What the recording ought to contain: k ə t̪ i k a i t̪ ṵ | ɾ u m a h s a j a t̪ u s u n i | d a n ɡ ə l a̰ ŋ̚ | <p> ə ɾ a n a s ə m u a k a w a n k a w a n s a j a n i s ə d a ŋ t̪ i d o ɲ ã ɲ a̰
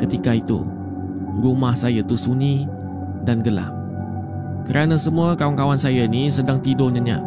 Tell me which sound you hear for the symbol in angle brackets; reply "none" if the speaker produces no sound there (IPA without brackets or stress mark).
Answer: k